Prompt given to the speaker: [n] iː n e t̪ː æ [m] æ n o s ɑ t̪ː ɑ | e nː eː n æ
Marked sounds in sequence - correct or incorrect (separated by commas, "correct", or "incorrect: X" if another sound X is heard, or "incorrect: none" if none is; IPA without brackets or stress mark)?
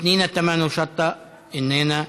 correct, correct